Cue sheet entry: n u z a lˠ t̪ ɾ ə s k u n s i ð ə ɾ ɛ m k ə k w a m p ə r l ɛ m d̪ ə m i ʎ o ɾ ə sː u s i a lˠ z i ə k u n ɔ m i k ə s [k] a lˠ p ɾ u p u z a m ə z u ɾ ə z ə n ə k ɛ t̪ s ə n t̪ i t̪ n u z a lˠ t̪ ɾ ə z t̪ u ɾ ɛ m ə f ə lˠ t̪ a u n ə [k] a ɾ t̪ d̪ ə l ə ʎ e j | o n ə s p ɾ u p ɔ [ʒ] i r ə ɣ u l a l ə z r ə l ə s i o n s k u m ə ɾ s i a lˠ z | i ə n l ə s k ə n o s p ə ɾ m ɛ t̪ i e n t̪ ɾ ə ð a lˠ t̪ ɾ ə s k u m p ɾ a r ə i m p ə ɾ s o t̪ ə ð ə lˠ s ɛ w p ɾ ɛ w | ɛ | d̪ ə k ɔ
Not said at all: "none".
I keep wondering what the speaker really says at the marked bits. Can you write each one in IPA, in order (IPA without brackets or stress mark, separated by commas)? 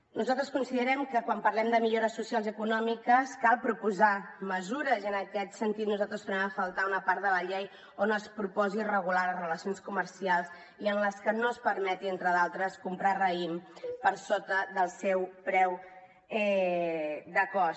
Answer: k, p, z